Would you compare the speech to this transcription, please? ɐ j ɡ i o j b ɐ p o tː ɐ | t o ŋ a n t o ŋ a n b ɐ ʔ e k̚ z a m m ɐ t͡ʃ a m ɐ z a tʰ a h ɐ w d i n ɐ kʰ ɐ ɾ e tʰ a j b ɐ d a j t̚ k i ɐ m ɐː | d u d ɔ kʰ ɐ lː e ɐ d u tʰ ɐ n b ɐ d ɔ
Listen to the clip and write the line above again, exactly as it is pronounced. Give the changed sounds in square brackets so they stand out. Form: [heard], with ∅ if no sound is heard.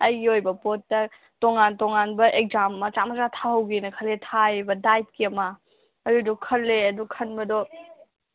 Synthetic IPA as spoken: ɐ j ɡ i o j b ɐ p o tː ɐ | t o ŋ a n t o ŋ a n b ɐ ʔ e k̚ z a m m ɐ t͡ʃ a m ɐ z a tʰ a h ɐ w [ɡ] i n ɐ kʰ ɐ [l] e tʰ a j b ɐ d a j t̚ k i ɐ m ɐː | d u d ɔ kʰ ɐ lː e ɐ d u [kʰ] ɐ n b ɐ d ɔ